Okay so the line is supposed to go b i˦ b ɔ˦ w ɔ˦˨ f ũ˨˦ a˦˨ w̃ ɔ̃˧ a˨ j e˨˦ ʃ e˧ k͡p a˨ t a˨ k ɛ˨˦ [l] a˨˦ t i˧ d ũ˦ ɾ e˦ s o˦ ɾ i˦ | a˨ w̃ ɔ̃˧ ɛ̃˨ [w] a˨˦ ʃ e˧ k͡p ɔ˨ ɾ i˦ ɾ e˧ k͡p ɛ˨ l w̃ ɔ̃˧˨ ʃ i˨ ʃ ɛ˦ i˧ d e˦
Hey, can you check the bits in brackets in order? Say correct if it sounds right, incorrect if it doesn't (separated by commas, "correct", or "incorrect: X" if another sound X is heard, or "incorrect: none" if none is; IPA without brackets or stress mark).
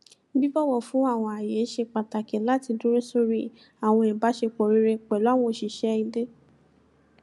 correct, incorrect: b